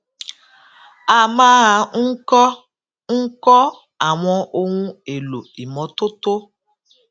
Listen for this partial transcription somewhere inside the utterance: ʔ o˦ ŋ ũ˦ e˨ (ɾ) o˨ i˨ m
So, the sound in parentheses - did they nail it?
no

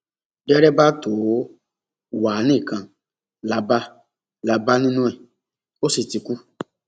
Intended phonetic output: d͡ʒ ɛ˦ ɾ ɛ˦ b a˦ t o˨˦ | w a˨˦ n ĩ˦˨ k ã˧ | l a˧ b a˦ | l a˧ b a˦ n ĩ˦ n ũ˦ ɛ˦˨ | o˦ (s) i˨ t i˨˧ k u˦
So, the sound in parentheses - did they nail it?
yes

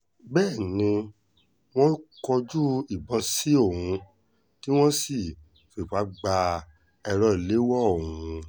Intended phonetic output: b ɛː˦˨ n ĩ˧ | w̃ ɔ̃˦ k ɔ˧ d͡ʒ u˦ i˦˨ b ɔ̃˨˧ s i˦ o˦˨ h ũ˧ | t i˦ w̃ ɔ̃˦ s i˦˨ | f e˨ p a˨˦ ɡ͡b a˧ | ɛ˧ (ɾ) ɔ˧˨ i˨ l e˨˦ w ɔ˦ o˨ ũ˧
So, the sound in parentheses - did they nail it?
yes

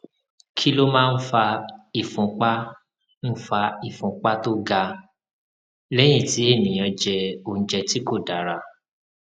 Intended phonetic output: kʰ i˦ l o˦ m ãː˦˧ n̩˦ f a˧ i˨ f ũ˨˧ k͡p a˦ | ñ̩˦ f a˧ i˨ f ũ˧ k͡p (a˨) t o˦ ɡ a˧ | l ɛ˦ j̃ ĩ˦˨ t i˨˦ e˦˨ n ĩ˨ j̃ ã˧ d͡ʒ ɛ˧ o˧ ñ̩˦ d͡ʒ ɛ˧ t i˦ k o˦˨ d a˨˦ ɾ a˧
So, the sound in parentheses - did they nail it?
no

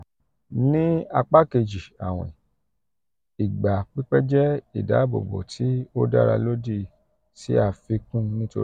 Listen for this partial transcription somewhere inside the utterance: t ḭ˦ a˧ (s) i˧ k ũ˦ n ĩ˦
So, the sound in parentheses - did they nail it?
no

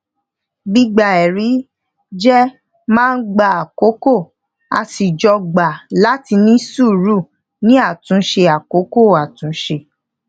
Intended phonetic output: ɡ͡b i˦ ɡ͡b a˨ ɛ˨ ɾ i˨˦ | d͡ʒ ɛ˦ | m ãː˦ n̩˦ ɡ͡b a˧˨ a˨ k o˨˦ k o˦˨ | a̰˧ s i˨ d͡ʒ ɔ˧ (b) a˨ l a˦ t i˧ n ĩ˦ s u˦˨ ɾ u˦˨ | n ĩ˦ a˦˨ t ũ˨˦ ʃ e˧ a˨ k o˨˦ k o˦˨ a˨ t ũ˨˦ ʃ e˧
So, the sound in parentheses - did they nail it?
no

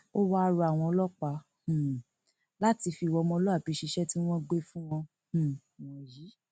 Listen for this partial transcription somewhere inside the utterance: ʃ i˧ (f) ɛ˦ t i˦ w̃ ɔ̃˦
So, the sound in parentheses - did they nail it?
no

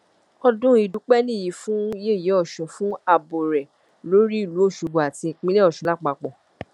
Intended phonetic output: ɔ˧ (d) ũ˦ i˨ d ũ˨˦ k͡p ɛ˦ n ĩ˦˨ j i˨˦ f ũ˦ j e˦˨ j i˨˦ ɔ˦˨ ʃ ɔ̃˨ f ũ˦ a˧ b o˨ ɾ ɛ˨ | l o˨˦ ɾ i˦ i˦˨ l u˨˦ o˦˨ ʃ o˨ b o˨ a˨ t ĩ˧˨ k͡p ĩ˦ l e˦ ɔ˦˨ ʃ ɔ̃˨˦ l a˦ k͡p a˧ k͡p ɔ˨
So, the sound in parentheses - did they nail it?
yes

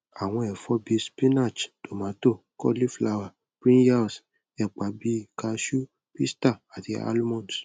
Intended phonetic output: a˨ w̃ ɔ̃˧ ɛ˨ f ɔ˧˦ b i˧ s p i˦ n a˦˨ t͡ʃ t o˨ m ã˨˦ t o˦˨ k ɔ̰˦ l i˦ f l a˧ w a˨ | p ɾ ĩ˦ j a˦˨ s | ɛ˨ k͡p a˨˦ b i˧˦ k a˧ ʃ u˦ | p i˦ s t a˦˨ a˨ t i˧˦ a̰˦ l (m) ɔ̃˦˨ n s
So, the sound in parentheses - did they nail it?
yes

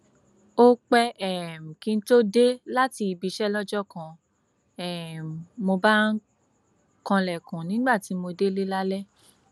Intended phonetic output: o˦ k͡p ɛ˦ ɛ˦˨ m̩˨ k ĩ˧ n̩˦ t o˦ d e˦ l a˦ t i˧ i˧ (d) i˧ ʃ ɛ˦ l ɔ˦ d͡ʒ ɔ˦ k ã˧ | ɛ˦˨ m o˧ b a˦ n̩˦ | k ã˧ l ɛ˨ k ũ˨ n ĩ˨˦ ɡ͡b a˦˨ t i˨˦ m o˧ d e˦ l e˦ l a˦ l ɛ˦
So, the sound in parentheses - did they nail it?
no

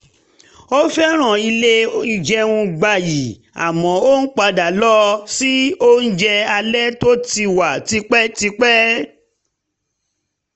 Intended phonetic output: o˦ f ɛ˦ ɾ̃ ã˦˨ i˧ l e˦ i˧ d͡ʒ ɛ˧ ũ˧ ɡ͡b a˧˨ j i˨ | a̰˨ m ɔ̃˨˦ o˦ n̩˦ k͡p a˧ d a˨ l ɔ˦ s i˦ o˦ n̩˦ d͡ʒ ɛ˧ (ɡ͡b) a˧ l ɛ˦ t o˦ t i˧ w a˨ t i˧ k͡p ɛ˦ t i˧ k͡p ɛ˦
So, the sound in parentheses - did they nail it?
no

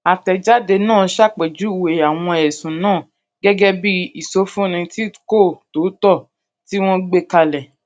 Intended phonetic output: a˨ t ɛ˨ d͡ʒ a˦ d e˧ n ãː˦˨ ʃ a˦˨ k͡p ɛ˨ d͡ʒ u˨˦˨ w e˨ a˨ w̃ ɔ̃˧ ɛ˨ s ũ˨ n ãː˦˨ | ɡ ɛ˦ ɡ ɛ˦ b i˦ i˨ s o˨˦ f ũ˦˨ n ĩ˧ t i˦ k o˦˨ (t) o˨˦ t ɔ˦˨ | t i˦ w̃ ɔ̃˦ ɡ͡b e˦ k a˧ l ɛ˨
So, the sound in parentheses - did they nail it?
yes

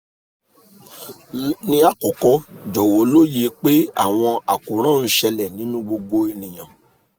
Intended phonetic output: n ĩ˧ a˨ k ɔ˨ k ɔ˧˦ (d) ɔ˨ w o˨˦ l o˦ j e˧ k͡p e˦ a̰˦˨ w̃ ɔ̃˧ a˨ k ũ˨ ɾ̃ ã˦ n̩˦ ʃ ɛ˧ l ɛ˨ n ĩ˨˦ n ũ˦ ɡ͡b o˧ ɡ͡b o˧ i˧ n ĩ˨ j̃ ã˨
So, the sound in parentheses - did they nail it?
no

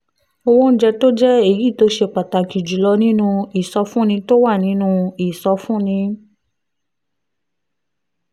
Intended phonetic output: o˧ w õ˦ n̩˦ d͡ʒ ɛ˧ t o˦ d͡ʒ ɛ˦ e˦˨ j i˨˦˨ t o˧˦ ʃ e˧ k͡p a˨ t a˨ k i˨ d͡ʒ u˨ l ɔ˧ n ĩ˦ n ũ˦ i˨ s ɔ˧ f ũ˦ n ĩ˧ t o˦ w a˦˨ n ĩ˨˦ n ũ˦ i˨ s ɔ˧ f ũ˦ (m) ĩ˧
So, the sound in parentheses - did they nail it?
no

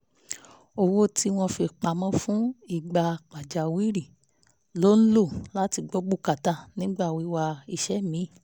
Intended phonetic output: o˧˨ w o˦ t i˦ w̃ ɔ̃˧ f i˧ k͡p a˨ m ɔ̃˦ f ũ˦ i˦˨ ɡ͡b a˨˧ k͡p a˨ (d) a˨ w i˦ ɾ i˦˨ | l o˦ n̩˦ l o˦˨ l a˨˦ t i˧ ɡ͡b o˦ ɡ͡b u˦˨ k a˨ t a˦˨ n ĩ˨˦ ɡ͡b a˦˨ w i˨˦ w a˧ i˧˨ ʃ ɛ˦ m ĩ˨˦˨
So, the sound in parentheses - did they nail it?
no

